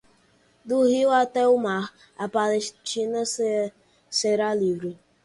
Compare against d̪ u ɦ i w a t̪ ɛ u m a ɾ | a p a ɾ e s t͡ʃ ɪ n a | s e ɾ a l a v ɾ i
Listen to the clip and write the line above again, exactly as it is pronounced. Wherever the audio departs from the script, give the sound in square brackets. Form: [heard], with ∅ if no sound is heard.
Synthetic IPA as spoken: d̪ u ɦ i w a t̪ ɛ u m a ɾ | a p a [l] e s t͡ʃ [i] n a | s e ɾ a l [i] v ɾ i